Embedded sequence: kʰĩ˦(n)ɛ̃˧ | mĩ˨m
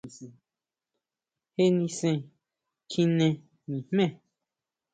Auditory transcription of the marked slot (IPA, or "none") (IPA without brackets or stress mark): n